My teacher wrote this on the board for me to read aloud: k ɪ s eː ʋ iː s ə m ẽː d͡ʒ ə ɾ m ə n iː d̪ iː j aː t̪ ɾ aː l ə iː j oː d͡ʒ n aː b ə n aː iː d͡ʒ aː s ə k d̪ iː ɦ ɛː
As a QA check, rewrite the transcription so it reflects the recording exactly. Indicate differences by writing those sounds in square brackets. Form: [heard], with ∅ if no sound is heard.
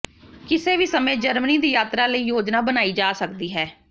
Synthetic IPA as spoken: k ɪ s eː ʋ iː s ə m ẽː d͡ʒ ə ɾ m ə n iː d̪ iː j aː t̪ ɾ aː l ə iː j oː d͡ʒ n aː b ə n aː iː d͡ʒ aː s ə k d̪ iː ɦ ɛː

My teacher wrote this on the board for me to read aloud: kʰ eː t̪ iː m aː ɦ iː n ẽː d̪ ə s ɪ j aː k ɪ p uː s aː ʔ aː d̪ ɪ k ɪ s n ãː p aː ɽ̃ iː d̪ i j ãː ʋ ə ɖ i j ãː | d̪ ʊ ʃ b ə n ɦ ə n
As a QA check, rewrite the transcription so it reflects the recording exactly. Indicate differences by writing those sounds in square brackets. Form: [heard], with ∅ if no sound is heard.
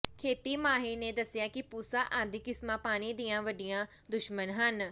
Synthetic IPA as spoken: kʰ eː t̪ iː m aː ɦ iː n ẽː d̪ ə s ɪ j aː k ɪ p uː s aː ʔ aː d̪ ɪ k ɪ s [m] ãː p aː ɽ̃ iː d̪ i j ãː ʋ ə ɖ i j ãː | d̪ ʊ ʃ [m] ə n ɦ ə n

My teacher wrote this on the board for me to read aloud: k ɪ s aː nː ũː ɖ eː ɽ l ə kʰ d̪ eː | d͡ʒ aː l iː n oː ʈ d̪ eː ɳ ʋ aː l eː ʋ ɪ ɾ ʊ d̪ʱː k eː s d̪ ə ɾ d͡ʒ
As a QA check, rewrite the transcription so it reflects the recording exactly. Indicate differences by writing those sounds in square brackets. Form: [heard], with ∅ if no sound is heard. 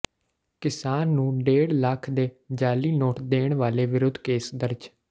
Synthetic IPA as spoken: k ɪ s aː nː ũː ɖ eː ɽ l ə kʰ d̪ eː | d͡ʒ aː l iː n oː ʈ d̪ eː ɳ ʋ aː l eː ʋ ɪ ɾ ʊ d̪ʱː k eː s d̪ ə ɾ d͡ʒ

